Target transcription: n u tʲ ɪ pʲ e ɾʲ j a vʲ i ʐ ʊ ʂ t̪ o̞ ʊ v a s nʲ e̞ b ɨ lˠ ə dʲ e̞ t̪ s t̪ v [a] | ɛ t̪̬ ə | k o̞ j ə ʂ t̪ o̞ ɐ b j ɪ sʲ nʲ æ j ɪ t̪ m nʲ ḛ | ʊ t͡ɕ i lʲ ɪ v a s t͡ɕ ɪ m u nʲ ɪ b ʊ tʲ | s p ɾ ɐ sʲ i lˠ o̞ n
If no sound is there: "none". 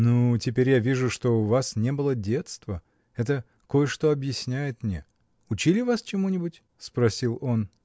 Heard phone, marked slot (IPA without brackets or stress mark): ə